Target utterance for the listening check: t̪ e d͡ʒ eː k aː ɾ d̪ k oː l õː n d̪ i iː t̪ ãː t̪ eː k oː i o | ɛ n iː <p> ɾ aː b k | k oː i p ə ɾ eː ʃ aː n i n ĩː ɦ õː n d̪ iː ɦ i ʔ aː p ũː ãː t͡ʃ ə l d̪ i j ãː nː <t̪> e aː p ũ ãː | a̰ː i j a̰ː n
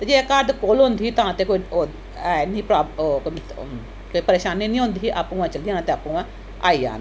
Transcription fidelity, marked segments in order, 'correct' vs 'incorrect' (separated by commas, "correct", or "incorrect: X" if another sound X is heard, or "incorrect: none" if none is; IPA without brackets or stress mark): correct, correct